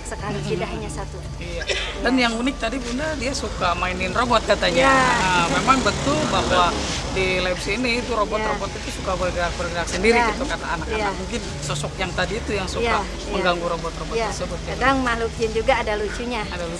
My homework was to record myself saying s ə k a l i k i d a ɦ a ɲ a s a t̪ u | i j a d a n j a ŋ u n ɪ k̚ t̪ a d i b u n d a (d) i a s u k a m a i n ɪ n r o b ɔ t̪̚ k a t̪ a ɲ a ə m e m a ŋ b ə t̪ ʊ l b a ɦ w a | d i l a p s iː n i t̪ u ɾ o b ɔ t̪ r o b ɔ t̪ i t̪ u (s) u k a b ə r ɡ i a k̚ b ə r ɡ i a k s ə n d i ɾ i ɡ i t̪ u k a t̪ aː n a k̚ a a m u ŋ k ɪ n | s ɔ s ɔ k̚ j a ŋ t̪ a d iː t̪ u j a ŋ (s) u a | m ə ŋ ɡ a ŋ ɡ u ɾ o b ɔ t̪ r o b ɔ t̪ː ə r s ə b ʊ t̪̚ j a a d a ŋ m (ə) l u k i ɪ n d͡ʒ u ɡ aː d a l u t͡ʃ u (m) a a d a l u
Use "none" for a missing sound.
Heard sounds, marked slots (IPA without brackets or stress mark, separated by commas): d, s, s, a, ɲ